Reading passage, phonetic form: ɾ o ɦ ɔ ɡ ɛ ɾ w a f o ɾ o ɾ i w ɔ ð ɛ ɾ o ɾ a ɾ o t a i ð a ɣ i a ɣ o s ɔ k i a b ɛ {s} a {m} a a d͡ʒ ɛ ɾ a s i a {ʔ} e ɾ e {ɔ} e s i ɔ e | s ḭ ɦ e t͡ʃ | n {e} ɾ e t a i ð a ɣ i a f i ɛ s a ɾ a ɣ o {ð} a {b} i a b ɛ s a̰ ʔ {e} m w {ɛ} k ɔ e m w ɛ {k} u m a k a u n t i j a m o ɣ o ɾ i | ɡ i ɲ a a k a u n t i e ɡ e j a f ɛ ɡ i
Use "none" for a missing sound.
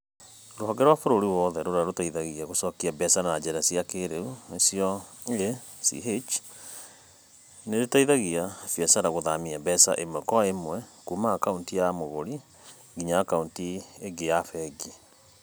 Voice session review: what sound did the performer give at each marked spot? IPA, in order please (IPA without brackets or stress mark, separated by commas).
s, n, k, u, e, ð, m, e, ɛ, k